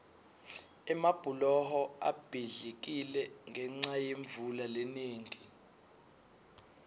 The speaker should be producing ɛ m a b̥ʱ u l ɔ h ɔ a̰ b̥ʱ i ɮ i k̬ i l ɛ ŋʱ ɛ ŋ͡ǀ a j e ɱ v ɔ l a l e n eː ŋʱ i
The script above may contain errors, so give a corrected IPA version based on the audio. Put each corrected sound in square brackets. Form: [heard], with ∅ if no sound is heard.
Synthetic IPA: ɛ m a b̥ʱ u l ɔ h ɔ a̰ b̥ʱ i ɮ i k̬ i l ɛ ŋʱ ɛ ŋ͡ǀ a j e ɱ v [u] l a l e n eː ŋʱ i